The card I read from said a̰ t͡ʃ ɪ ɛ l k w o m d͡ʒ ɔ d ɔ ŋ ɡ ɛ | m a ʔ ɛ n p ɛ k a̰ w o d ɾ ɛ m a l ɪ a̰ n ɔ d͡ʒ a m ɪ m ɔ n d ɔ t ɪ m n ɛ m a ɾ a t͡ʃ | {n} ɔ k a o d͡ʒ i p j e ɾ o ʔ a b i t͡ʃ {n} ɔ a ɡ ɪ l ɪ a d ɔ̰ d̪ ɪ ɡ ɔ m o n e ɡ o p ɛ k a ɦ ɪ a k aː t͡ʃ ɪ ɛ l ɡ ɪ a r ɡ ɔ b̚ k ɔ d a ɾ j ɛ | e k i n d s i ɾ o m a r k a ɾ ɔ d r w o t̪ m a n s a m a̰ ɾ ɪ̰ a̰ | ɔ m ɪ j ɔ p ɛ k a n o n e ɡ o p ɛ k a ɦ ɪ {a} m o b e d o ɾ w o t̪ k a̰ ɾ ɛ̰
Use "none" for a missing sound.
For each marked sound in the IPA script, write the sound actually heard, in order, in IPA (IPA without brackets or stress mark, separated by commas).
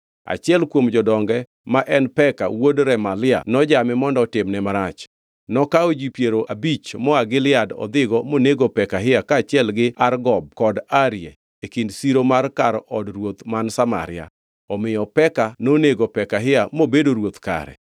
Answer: n, m, a